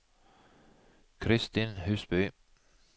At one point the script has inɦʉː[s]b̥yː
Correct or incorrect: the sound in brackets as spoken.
correct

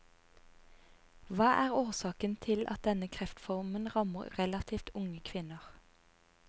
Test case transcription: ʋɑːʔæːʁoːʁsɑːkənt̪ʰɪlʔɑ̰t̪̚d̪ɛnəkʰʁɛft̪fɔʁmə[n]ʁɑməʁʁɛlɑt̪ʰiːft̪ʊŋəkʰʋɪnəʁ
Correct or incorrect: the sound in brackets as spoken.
correct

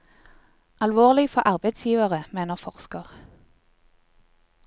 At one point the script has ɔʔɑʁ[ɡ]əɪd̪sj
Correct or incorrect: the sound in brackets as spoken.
incorrect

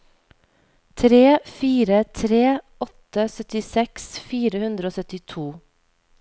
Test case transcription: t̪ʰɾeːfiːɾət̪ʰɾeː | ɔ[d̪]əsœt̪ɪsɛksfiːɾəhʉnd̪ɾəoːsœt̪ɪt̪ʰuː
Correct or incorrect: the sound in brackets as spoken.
incorrect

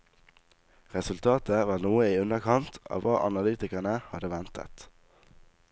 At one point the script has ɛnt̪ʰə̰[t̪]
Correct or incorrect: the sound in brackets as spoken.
correct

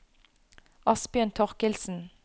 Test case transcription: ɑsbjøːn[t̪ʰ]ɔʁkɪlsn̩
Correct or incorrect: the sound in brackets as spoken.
correct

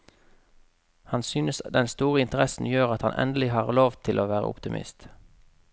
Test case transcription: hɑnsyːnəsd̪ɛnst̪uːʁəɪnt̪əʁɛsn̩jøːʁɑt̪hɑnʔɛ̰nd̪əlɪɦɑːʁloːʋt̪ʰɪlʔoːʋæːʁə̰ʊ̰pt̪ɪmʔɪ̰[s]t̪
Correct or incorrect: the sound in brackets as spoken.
correct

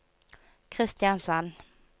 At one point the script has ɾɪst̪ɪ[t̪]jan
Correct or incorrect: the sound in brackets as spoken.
incorrect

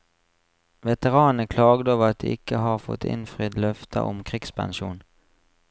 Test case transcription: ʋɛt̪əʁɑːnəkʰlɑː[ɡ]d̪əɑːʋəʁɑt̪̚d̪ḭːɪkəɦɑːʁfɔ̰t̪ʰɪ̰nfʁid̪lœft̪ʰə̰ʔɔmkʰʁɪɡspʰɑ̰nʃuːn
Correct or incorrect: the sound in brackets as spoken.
correct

